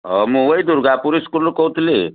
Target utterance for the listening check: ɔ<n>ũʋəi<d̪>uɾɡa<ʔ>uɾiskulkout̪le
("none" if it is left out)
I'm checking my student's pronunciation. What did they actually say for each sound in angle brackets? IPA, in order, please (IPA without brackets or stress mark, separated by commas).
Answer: m, d̪, p